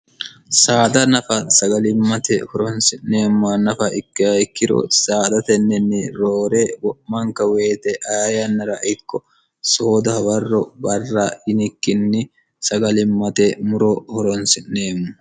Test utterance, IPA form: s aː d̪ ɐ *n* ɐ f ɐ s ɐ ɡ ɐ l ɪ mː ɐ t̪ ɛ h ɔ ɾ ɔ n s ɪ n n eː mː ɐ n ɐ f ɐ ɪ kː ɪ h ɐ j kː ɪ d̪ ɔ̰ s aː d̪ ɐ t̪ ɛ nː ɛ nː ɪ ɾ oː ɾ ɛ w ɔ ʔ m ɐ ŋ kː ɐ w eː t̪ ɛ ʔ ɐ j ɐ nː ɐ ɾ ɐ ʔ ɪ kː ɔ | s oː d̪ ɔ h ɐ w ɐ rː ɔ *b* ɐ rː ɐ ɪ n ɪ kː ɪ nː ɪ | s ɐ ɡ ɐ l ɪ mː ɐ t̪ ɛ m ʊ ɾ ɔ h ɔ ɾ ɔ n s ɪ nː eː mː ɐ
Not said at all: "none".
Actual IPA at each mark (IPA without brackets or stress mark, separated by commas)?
n, b